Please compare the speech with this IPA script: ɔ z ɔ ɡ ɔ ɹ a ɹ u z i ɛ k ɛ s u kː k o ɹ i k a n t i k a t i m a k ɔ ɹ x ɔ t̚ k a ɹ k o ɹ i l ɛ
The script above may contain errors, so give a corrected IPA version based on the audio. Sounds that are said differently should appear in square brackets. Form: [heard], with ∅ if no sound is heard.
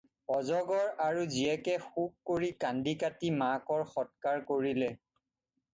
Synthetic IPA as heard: ɔ z ɔ ɡ ɔ ɹ a ɹ u z i ɛ k ɛ [x] u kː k o ɹ i k a n [d] i k a t i m a k ɔ ɹ x ɔ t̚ k a ɹ k o ɹ i l ɛ